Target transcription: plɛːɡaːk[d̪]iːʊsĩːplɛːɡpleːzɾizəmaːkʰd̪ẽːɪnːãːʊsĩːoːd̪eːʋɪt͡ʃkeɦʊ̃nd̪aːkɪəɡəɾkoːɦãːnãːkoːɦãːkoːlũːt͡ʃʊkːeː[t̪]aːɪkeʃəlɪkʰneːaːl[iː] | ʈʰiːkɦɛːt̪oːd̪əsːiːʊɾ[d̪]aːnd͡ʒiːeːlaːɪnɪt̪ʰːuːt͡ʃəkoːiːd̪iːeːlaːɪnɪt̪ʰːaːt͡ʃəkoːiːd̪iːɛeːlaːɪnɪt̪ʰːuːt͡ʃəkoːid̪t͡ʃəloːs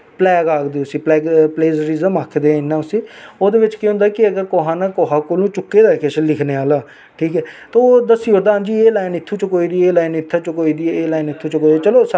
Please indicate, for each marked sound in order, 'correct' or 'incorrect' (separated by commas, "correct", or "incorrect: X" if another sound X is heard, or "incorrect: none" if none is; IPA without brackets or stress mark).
correct, incorrect: d̪, incorrect: aː, correct